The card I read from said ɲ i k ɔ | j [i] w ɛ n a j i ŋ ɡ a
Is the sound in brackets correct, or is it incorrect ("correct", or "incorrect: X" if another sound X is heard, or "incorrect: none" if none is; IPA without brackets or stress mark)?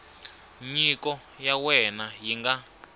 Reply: incorrect: a